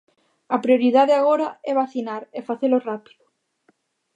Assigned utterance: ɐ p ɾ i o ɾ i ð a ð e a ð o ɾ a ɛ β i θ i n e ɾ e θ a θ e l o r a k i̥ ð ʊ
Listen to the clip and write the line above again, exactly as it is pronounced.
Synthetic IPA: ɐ p ɾ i o ɾ i ð a ð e a ɣ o ɾ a ɛ β a θ i n a ɾ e f a θ e l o r a p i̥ ð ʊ